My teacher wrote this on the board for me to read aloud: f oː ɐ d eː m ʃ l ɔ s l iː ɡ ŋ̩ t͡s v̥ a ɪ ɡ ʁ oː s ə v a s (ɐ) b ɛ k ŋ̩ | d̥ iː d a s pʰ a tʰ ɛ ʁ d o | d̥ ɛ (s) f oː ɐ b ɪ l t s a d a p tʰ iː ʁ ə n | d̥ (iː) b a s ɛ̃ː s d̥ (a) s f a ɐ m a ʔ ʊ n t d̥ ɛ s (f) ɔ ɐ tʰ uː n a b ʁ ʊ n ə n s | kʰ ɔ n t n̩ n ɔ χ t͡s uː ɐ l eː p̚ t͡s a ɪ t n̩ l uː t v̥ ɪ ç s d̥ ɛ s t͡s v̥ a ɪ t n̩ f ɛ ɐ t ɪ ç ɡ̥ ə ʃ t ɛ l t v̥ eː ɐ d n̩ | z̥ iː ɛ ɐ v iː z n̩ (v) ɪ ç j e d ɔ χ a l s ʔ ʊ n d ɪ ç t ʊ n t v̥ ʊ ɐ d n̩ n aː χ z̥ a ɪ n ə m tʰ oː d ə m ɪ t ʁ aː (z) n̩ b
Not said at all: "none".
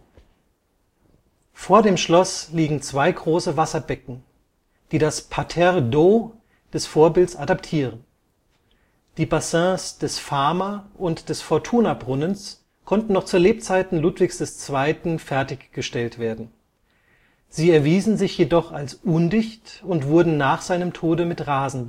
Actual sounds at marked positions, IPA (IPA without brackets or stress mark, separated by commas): ɐ, s, iː, ɛ, f, z, z